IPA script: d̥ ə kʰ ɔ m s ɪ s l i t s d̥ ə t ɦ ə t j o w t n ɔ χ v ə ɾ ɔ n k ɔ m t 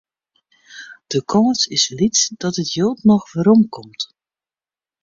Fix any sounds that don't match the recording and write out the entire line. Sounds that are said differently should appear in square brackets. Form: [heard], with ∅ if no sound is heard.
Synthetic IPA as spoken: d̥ ə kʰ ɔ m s ɪ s l i t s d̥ [ɑ] t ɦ ə t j o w t n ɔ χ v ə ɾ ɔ [m] k ɔ m t